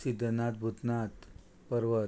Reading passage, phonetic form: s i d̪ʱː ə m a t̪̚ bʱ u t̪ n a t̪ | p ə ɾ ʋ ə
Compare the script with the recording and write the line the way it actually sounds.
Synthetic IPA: s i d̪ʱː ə n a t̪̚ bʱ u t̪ n a t̪ | p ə ɾ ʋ ə